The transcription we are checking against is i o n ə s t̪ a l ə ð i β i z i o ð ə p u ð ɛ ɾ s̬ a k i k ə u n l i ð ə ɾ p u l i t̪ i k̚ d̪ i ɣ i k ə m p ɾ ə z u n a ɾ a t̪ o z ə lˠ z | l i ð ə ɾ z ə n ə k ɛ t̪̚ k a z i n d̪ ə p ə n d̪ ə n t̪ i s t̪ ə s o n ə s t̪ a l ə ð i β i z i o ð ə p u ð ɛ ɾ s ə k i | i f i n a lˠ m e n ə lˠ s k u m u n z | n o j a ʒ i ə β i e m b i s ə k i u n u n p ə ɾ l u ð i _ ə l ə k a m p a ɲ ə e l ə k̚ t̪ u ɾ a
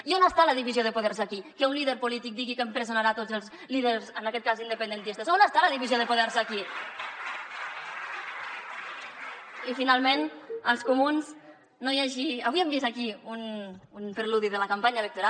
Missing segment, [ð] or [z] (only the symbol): ð